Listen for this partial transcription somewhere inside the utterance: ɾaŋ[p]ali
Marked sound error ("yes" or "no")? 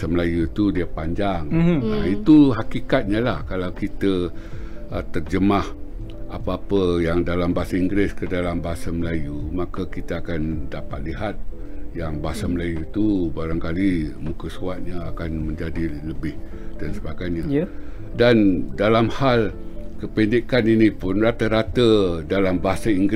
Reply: yes